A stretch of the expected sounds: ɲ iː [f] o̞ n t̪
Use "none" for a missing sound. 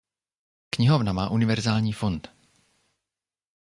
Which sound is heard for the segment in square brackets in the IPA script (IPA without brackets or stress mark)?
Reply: f